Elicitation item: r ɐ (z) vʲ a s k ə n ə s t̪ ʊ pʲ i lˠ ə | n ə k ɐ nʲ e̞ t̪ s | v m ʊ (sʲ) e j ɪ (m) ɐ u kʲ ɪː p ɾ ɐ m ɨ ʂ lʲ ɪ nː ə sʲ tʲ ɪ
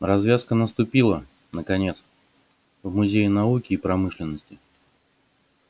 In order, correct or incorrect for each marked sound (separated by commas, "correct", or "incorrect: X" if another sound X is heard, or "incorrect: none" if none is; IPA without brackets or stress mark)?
correct, incorrect: zʲ, incorrect: n